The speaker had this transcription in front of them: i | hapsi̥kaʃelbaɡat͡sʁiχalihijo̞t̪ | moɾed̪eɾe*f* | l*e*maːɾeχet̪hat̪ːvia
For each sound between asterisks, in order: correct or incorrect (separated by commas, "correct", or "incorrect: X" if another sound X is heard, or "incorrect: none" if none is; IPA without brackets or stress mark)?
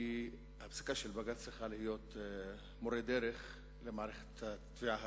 incorrect: χ, correct